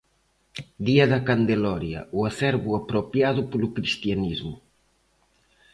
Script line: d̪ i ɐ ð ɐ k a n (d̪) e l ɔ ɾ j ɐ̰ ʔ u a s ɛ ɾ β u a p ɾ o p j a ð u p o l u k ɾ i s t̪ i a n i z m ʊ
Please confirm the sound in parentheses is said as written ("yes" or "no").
yes